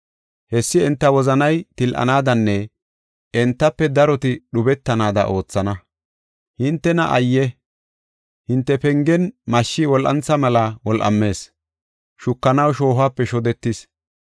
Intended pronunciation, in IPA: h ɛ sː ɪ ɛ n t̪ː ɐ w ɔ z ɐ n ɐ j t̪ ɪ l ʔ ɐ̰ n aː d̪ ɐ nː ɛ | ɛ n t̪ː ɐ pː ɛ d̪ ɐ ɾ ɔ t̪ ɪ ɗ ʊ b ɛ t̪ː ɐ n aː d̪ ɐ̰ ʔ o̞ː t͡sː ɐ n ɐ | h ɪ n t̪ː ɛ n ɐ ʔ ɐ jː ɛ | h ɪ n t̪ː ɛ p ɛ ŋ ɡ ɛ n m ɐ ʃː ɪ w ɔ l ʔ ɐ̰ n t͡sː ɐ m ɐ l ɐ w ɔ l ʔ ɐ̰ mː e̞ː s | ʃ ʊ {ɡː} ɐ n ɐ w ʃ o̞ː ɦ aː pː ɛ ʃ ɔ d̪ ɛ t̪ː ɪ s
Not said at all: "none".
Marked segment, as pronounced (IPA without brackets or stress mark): kː